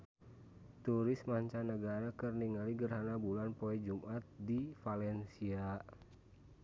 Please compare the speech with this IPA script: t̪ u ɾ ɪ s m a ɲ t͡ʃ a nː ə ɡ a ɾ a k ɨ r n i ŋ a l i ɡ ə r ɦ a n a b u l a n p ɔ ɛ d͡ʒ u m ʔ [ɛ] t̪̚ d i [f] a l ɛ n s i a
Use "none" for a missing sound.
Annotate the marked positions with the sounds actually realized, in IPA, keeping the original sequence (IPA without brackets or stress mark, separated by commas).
a, f